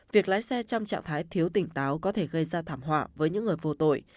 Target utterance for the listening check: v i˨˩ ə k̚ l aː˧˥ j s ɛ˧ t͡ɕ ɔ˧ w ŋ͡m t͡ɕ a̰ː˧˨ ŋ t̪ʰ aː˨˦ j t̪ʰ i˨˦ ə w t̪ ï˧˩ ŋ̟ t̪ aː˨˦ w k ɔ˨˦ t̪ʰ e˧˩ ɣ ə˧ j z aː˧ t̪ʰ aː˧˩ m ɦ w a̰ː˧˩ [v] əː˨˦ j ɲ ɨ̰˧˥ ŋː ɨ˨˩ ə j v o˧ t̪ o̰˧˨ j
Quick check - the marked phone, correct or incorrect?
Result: correct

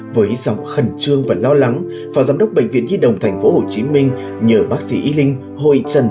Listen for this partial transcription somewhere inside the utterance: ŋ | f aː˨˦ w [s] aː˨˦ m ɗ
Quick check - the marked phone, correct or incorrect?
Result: incorrect: z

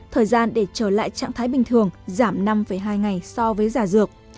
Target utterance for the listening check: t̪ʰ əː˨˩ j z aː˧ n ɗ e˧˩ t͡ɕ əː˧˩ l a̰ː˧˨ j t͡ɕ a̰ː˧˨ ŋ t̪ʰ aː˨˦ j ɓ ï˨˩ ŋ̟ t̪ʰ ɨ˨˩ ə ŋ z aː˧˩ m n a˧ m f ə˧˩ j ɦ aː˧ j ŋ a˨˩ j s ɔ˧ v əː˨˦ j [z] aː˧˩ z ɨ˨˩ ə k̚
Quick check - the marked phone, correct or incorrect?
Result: correct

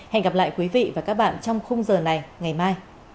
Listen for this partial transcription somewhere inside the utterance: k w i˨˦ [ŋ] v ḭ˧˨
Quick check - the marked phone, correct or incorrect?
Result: incorrect: none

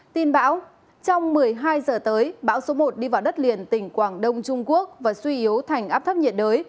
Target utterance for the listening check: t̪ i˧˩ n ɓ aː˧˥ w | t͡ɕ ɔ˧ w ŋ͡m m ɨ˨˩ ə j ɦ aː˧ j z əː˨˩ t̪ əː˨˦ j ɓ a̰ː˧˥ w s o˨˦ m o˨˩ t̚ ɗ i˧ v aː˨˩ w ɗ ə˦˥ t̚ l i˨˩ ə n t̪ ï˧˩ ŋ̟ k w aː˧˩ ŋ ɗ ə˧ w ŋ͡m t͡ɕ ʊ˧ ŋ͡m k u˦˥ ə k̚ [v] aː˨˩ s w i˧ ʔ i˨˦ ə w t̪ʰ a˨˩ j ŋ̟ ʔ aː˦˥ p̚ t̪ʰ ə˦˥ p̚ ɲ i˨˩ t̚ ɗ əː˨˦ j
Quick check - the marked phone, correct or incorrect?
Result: correct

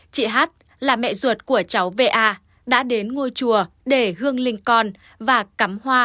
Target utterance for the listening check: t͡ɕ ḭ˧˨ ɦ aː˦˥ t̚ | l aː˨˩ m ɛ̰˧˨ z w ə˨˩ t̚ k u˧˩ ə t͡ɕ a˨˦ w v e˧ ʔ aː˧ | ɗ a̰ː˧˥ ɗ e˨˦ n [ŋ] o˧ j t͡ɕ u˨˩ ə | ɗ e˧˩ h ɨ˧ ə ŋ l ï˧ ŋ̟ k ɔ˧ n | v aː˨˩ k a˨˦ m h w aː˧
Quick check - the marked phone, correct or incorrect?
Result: correct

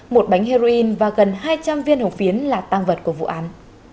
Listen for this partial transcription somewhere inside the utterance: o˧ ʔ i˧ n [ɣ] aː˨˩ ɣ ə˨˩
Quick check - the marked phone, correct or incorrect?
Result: incorrect: v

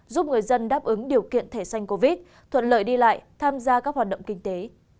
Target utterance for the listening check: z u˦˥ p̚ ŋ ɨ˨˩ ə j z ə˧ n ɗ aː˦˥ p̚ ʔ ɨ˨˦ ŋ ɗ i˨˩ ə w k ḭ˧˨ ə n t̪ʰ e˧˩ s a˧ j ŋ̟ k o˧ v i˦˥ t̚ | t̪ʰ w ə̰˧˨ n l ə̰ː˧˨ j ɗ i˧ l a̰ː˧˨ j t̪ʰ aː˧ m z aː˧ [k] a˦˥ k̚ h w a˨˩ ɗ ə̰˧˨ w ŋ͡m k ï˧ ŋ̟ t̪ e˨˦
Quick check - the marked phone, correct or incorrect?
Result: correct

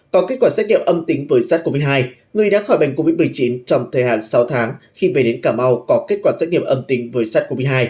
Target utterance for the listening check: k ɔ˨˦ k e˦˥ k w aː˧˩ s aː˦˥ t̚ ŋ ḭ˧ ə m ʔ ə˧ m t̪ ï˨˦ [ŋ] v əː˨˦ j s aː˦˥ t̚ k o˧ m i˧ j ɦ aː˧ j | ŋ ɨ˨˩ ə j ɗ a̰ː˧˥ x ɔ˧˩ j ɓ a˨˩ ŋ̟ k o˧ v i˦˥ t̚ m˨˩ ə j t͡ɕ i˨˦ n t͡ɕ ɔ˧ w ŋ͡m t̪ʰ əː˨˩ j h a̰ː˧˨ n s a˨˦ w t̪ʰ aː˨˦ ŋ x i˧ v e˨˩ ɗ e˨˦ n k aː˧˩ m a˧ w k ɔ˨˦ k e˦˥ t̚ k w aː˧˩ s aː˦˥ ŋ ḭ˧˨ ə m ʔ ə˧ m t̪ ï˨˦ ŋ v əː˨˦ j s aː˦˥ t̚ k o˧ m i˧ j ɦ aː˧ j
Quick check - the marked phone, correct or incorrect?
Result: correct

